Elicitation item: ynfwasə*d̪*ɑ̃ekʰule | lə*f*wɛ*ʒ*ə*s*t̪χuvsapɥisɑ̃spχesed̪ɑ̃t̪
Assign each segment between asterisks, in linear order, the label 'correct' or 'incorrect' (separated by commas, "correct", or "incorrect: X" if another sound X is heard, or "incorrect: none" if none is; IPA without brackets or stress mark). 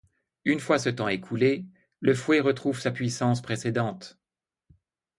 incorrect: t̪, correct, incorrect: ʁ, incorrect: none